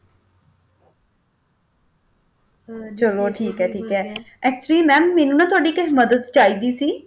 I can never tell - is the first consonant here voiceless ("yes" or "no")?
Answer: yes